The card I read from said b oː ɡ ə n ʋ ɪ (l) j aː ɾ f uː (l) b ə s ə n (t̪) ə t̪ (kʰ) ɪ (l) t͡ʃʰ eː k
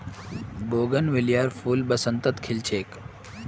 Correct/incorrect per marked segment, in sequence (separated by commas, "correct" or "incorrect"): correct, correct, correct, correct, correct